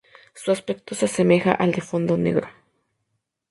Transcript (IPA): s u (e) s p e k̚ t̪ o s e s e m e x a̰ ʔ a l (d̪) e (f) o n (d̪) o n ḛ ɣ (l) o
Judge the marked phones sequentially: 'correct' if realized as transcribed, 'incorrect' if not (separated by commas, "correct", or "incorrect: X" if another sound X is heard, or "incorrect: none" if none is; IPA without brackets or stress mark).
incorrect: a, correct, correct, correct, incorrect: ɾ